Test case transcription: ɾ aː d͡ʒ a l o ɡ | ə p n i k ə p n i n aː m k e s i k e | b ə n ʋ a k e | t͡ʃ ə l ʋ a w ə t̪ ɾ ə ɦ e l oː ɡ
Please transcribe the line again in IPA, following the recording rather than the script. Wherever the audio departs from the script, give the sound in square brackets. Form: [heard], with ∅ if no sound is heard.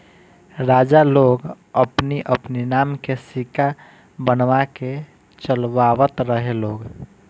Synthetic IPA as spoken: ɾ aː d͡ʒ a l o ɡ | ə p n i [ʔ] ə p n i n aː m k e s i k [a] | b ə n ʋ a k e | t͡ʃ ə l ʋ a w ə t̪ ɾ ə ɦ e l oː ɡ